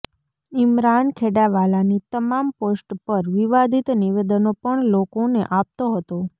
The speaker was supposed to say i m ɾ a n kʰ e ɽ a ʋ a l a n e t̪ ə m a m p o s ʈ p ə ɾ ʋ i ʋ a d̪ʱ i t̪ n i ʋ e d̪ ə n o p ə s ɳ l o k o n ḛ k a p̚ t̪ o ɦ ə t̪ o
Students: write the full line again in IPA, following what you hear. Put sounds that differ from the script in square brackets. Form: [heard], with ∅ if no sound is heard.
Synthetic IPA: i m ɾ a n kʰ e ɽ a ʋ a l a n [i] t̪ ə m a m p o s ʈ p ə ɾ ʋ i ʋ a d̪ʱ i t̪ n i ʋ e d̪ ə n o p ə [∅] ɳ l o k o n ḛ [ʔ] a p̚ t̪ o ɦ ə t̪ o

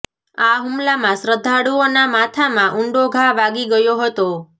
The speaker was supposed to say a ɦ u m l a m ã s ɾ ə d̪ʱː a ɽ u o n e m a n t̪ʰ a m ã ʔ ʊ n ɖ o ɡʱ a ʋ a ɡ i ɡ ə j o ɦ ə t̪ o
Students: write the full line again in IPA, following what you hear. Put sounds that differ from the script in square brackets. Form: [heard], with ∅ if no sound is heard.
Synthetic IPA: a ɦ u m l a m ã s ɾ ə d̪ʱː a ɽ u o n [a] m a [∅] t̪ʰ a m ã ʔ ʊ [ɳ] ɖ o ɡʱ a ʋ a ɡ i ɡ ə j o ɦ ə t̪ o

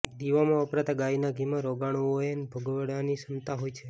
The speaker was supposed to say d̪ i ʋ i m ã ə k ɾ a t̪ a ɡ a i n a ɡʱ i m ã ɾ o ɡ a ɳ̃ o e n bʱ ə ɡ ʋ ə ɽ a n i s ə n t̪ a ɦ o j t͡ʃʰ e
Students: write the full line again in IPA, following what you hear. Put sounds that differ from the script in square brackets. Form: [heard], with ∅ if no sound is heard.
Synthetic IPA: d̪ i ʋ [a] m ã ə [p] ɾ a t̪ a ɡ a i n a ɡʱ i m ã ɾ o ɡ a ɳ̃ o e n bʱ ə ɡ ʋ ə ɽ a n i s ə n t̪ a ɦ o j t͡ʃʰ e

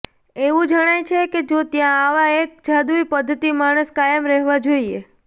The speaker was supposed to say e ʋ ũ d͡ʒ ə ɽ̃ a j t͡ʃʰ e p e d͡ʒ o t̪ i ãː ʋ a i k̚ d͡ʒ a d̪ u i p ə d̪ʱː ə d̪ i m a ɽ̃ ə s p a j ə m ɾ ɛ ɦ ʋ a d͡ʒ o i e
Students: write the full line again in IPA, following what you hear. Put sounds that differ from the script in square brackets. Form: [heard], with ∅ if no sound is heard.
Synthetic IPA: e ʋ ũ d͡ʒ ə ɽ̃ a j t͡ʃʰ e [k] e d͡ʒ o t̪ [j] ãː ʋ a [e] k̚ d͡ʒ a d̪ u i p ə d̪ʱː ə [t̪] i m a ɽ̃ ə s [k] a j ə m ɾ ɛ ɦ ʋ a d͡ʒ o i e

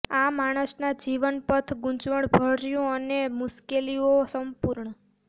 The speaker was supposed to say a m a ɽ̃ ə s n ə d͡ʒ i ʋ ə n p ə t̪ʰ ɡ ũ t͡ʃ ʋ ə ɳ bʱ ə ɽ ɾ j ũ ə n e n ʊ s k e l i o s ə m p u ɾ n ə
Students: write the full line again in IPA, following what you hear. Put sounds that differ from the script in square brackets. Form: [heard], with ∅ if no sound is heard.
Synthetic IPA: a m a ɽ̃ ə s n [a] d͡ʒ i ʋ ə n p ə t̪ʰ ɡ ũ t͡ʃ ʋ ə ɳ bʱ ə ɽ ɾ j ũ ə n e [m] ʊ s k e l i o s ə m p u ɾ [ɳ] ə

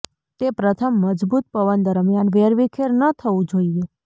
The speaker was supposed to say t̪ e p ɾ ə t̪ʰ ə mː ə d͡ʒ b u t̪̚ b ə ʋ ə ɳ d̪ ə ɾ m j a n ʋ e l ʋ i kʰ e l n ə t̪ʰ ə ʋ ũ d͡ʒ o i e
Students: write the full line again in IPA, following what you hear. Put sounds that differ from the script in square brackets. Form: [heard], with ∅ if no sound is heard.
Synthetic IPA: t̪ e p ɾ ə t̪ʰ ə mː ə d͡ʒ b u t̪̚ [p] ə ʋ ə [n] d̪ ə ɾ m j a n ʋ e [ɾ] ʋ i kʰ e [ɾ] n ə t̪ʰ ə ʋ ũ d͡ʒ o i e

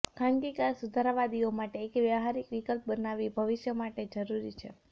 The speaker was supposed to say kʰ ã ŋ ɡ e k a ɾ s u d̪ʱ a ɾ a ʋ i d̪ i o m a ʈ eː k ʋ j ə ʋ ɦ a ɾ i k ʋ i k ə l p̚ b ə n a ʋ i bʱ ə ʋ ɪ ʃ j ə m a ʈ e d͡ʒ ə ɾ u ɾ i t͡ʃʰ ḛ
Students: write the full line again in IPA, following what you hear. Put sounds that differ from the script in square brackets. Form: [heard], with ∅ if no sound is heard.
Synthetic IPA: kʰ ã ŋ ɡ [i] k a ɾ s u d̪ʱ a ɾ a ʋ [a] d̪ i o m a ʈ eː k ʋ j ə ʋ ɦ a ɾ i k ʋ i k ə l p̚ b ə n a ʋ i bʱ ə ʋ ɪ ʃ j ə m a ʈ e d͡ʒ ə ɾ u ɾ i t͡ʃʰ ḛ

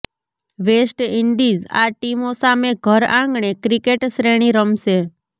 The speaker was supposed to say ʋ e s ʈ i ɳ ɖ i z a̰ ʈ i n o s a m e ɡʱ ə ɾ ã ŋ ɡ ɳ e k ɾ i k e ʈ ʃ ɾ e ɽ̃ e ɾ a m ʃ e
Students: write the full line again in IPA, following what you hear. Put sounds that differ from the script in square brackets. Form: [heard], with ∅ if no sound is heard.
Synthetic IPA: ʋ e s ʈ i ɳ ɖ i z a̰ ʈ i [m] o s a m e ɡʱ ə ɾ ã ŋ ɡ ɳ e k ɾ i k e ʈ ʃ ɾ e ɽ̃ [i] ɾ [ə] m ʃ e

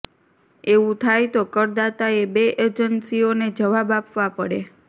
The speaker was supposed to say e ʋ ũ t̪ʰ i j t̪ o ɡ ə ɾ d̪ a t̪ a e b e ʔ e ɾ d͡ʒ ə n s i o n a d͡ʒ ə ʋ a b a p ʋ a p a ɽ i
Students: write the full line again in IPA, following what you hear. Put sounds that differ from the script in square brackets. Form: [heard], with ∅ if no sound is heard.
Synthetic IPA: e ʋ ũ t̪ʰ [a] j t̪ o [k] ə ɾ d̪ a t̪ a e b e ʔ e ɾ d͡ʒ ə n s i o n [e] d͡ʒ ə ʋ a b a p ʋ a p [ə] ɽ [e]

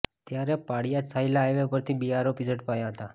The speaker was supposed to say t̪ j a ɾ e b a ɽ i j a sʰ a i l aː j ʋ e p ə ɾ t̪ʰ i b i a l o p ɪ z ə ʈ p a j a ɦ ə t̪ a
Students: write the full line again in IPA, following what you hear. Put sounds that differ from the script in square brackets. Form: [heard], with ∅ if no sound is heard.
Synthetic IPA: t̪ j a ɾ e [p] a ɽ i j a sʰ a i l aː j ʋ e p ə ɾ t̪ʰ i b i a [ɾ] o p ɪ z ə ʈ p a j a ɦ ə t̪ a

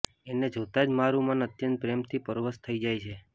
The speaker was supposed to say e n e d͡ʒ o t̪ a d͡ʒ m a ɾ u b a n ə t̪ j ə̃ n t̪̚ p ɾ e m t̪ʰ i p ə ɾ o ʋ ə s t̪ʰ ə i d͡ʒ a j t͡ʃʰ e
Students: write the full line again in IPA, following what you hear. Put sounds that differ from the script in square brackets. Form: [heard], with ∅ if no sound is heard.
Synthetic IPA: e n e d͡ʒ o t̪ a d͡ʒ m a ɾ u [m] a n ə t̪ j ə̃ n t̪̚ p ɾ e m t̪ʰ i p ə ɾ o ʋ ə s t̪ʰ ə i d͡ʒ a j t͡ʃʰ e

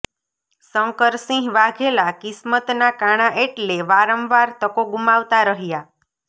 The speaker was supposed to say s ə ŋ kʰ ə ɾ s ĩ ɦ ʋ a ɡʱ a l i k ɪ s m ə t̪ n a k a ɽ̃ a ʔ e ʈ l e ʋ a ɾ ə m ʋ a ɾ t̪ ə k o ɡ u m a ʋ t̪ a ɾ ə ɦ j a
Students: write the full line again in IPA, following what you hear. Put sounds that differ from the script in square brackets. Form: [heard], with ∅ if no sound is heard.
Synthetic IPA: s ə ŋ [k] ə ɾ s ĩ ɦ ʋ a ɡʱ [e] l [a] k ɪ s m ə t̪ n a k a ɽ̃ a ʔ e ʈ l e ʋ a ɾ ə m ʋ a ɾ t̪ ə k o ɡ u m a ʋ t̪ a ɾ ə ɦ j a

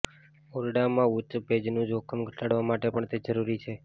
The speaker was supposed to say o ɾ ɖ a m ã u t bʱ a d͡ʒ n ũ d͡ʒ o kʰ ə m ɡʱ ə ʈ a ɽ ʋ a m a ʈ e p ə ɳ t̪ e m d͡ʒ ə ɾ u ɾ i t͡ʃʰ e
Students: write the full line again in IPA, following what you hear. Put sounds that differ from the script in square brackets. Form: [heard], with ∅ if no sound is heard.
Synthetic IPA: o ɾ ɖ a m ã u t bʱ [e] d͡ʒ n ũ d͡ʒ o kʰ ə m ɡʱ ə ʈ a ɽ ʋ a m a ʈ e p ə ɳ t̪ e [∅] d͡ʒ ə ɾ u ɾ i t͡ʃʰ e

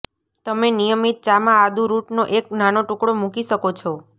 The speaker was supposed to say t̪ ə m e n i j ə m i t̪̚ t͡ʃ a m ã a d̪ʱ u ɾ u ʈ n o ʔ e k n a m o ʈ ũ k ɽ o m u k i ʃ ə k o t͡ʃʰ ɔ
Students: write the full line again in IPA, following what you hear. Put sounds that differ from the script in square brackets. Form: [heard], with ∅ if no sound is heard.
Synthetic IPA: t̪ ə m e n i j ə m i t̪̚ t͡ʃ a m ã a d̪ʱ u ɾ u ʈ n o ʔ e k n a [n] o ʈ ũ k ɽ o m u k i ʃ ə k o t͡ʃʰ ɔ

